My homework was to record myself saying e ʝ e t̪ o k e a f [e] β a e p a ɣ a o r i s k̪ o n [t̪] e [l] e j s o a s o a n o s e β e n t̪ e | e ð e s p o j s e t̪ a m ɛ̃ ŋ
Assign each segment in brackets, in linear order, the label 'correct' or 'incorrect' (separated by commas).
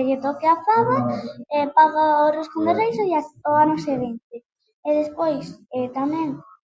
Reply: incorrect, incorrect, incorrect